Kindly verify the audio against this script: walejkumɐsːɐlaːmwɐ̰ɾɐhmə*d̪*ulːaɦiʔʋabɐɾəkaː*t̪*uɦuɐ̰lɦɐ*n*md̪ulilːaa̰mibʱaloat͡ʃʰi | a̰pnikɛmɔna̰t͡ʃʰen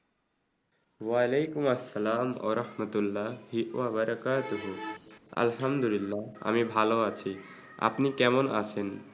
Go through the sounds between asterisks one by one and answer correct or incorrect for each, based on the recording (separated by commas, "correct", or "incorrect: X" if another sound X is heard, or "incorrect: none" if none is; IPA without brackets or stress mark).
incorrect: t̪, correct, incorrect: none